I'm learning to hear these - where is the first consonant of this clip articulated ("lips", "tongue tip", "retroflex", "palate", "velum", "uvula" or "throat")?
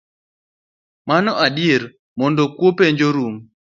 lips